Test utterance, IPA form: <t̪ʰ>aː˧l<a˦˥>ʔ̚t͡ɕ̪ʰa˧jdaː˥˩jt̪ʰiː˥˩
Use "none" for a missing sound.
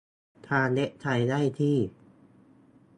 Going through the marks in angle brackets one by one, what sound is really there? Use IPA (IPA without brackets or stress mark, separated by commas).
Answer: t̪ʰ, e˦˥